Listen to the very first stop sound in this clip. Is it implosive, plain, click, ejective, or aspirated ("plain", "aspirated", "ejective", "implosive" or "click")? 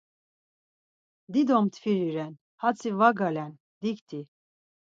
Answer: plain